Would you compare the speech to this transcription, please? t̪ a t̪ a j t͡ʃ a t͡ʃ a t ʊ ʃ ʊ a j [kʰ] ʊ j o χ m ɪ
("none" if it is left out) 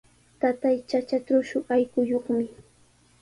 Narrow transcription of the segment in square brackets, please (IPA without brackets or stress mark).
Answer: k